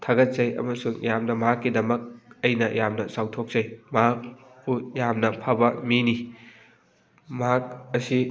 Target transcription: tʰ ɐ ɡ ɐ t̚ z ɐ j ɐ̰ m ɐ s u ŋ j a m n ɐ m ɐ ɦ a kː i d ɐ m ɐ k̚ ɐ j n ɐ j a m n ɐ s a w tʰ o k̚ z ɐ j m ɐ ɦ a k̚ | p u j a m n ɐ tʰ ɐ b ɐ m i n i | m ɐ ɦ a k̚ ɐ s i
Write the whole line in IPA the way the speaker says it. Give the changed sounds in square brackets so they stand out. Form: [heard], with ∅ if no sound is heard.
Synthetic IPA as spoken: tʰ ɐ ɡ ɐ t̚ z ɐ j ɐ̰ m ɐ s u ŋ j a m n ɐ m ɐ ɦ a kː i d ɐ m ɐ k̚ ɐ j n ɐ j a m n ɐ s a w tʰ o k̚ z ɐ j m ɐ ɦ a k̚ | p u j a m n ɐ [pʰ] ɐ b ɐ m i n i | m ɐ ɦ a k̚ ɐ s i